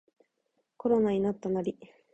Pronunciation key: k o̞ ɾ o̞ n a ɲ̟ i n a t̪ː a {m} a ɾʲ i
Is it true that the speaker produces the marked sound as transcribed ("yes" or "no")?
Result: no